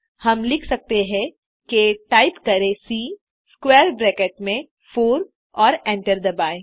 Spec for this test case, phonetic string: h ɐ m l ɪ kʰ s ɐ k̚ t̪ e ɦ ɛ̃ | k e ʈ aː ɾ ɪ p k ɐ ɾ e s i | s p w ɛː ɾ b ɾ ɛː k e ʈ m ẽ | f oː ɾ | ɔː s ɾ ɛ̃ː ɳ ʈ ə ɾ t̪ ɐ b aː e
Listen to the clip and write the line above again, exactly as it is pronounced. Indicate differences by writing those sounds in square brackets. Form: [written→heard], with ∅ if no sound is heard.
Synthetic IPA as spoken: h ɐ m l ɪ kʰ s ɐ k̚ t̪ e ɦ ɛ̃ | k e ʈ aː [ɾ→∅] ɪ p k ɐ ɾ e s i | s [p→k] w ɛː ɾ b ɾ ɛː k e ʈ m ẽ | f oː ɾ | ɔː [s→∅] ɾ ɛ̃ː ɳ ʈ ə ɾ [t̪→d̪] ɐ b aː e